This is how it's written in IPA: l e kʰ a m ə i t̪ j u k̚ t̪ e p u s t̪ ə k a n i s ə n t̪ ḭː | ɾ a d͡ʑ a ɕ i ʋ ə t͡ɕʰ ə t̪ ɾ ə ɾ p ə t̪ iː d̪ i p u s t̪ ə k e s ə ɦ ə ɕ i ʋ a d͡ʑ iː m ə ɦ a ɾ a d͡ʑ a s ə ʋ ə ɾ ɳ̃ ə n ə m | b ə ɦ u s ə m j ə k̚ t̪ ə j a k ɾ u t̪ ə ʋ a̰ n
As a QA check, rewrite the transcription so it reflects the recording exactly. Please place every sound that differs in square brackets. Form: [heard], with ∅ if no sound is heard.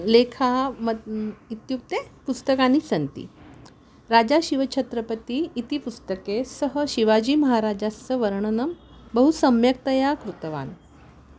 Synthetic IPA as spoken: l e kʰ a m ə i t̪ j u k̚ t̪ e p u s t̪ ə k a n i s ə n t̪ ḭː | ɾ a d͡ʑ a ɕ i ʋ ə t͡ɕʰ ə t̪ ɾ ə [∅] p ə t̪ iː [t̪] i p u s t̪ ə k e s ə ɦ ə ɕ i ʋ a d͡ʑ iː m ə ɦ a ɾ a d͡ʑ a s ə ʋ ə ɾ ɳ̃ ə n ə m | b ə ɦ u s ə m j ə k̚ t̪ ə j a k ɾ u t̪ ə ʋ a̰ n